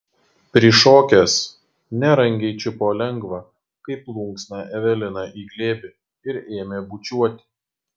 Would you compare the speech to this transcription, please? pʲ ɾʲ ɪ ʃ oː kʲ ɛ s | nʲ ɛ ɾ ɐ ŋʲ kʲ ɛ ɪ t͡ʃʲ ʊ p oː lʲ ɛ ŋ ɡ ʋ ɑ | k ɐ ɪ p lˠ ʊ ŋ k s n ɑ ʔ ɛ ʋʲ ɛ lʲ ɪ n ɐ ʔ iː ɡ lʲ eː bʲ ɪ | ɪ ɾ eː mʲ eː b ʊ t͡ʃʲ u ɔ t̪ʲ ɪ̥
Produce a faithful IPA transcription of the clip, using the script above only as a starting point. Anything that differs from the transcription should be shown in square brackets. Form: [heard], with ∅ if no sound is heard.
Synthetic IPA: pʲ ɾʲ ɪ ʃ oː kʲ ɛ s | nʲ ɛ ɾ ɐ ŋʲ [ɡʲ] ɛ ɪ t͡ʃʲ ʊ p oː lʲ ɛ ŋ ɡ ʋ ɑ | k ɐ ɪ p lˠ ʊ ŋ k s n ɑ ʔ ɛ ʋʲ ɛ lʲ ɪ n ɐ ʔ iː ɡ lʲ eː bʲ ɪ | ɪ ɾ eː mʲ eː b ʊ t͡ʃʲ u ɔ t̪ʲ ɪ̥